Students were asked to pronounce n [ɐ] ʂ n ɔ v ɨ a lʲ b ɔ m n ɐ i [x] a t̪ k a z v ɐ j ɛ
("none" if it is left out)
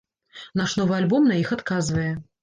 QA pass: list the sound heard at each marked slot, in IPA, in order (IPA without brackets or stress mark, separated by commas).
a, x